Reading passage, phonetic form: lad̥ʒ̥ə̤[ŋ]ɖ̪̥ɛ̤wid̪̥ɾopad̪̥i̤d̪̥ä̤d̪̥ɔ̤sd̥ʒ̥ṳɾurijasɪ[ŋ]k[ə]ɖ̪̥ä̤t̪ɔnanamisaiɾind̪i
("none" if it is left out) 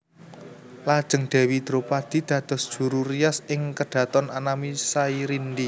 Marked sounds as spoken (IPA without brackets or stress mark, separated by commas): ŋ, ŋ, ə